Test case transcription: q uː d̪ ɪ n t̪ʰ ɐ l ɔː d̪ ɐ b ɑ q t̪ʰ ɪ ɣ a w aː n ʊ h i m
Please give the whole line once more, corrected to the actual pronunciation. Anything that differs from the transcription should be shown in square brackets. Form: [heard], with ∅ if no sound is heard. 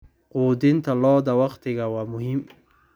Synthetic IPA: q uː d̪ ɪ n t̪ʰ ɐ l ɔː d̪ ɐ [w] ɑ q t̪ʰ ɪ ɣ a w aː [m] ʊ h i m

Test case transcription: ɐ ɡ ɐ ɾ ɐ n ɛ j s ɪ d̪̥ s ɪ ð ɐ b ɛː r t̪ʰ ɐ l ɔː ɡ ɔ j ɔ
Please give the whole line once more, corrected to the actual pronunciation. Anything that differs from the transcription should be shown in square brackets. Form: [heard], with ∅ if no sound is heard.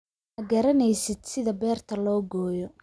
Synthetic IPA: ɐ ɡ ɐ ɾ ɐ n ɛ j s ɪ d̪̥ s ɪ ð ɐ b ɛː r t̪ʰ ɐ l ɔː ɡ [ɔː] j ɔ

